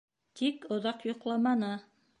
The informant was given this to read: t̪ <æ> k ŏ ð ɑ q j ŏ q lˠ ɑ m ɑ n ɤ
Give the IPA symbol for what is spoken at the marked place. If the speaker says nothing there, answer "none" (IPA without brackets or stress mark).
i